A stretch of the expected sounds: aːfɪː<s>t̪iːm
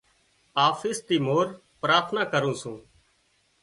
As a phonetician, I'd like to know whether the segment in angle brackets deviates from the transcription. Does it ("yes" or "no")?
no